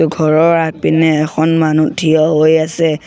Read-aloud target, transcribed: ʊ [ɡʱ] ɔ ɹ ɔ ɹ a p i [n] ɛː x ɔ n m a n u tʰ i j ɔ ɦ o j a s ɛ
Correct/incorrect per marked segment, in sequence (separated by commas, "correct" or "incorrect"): correct, correct